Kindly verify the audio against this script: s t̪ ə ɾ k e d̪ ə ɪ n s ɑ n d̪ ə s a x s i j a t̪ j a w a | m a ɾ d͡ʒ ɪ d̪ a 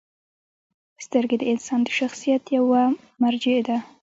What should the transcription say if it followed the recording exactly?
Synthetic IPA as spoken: s t̪ ə ɾ ɡ e d̪ ə ɪ n s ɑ n d̪ ə ʃ a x s i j a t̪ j a w a | m a ɾ d͡ʒ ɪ d̪ a